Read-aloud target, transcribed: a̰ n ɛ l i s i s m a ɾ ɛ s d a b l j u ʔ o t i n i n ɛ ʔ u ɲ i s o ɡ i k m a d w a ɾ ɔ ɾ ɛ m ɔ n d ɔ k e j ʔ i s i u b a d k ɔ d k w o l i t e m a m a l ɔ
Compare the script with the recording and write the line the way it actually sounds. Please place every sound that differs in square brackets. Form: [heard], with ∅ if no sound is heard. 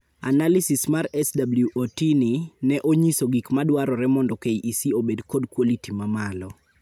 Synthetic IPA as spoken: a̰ n [a] l i s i s m a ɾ ɛ s d a b l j u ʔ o t i n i n ɛ ʔ [o] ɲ i s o ɡ i k m a d w a ɾ ɔ ɾ ɛ m ɔ n d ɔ k e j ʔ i s i [o] b [e] d k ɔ d k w o l i t [i] m a m a l ɔ